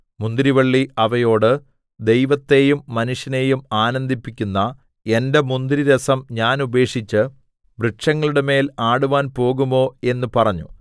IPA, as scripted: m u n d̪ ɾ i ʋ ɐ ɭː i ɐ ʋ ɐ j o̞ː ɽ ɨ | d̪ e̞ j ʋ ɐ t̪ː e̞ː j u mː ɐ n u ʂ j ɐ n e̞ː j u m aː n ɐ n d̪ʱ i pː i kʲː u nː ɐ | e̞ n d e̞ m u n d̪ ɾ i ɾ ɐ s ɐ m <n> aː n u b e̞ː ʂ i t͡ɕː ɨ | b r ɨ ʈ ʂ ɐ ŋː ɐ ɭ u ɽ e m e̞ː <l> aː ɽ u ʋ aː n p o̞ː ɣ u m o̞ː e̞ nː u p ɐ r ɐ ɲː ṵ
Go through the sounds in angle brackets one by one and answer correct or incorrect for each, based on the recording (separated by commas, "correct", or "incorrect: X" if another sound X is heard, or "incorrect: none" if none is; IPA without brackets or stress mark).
incorrect: ɲ, correct